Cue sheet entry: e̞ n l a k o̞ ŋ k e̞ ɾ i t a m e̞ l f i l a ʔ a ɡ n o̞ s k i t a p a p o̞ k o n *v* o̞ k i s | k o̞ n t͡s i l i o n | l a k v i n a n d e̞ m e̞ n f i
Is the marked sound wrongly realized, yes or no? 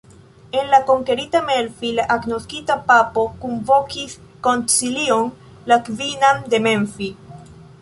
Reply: no